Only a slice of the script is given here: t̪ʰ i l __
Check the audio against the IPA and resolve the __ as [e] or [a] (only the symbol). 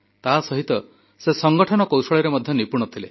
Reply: e